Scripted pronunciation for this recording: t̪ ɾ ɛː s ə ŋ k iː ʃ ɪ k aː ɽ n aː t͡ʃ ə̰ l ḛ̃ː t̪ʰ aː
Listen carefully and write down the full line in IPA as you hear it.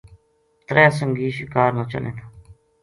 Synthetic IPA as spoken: t̪ ɾ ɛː s ə ŋ ɡ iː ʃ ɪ k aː ɾ n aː t͡ʃ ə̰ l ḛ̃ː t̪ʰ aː